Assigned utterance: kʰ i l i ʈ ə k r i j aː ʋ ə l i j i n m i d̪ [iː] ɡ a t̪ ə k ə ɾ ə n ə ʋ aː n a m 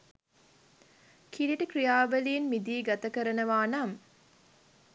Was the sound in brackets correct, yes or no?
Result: yes